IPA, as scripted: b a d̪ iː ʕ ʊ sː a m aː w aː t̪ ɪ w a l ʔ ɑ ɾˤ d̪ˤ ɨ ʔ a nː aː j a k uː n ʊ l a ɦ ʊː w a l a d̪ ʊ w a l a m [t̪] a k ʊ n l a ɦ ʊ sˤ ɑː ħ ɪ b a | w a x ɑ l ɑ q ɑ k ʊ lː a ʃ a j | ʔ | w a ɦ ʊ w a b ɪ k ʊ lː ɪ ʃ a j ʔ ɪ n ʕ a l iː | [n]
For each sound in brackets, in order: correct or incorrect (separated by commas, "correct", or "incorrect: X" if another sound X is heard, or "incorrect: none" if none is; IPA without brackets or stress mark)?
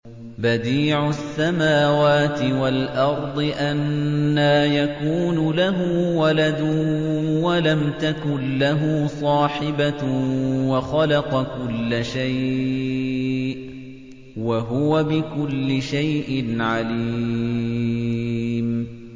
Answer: correct, incorrect: m